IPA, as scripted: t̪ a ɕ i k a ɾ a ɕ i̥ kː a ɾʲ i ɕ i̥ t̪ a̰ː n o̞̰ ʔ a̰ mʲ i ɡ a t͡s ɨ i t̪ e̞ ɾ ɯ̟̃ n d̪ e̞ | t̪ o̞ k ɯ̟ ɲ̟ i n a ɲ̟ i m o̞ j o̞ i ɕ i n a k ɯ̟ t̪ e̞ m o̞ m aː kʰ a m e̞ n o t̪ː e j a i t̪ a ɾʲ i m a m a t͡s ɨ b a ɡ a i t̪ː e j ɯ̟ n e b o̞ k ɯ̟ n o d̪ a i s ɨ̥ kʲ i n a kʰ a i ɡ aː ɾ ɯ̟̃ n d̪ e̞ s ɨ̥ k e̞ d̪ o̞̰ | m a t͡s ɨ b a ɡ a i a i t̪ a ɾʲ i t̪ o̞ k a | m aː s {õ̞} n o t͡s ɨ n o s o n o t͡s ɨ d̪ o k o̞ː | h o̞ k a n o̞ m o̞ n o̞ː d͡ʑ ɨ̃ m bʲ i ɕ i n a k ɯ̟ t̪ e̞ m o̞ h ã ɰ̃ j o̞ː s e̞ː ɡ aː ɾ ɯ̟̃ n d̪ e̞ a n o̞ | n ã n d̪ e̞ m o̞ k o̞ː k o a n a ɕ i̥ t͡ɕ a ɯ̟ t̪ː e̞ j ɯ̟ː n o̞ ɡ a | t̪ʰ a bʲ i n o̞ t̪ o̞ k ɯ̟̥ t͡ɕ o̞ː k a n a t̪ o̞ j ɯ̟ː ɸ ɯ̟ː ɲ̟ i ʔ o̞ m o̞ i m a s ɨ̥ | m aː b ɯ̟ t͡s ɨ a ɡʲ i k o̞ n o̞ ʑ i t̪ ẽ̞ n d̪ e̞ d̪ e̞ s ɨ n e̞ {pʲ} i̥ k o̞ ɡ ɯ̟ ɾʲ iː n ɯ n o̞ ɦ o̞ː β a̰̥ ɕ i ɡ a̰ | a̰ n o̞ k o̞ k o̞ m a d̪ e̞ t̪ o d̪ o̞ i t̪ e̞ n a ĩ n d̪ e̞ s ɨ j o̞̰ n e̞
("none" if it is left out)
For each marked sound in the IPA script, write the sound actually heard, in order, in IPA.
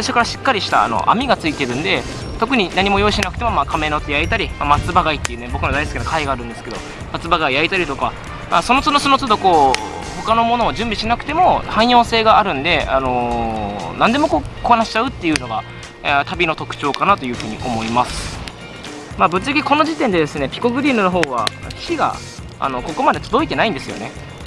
o̞, pʲ

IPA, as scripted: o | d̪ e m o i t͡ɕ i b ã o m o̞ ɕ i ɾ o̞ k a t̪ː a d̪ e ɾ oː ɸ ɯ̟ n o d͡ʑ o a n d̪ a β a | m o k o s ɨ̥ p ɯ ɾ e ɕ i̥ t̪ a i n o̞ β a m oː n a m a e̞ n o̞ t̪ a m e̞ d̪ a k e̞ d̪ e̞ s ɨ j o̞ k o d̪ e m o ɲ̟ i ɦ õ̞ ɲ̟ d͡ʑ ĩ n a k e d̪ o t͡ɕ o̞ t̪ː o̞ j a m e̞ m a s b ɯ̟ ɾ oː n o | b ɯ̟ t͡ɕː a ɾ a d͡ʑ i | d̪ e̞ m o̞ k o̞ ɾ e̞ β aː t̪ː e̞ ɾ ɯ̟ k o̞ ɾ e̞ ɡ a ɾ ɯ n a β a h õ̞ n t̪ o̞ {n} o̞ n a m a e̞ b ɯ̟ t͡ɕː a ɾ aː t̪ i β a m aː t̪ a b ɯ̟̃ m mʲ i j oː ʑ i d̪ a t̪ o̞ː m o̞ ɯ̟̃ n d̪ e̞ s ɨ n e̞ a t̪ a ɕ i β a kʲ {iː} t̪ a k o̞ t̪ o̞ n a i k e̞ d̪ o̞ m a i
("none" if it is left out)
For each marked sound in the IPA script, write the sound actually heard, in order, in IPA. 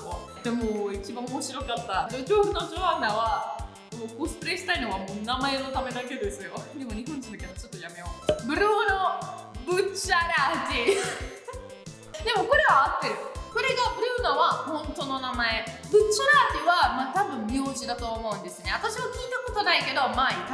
n, iː

